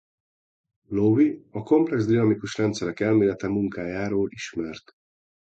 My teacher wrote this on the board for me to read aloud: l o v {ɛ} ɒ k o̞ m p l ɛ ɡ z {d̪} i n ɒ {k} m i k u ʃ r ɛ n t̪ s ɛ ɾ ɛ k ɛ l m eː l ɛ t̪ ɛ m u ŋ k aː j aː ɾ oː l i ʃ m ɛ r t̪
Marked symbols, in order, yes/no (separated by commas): no, yes, no